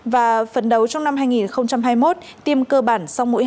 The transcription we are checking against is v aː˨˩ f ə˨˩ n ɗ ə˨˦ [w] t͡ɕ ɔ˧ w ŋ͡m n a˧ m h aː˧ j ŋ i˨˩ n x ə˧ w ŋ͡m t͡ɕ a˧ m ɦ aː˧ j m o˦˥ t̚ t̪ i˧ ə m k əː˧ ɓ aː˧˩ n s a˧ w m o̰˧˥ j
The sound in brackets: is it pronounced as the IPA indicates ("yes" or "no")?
yes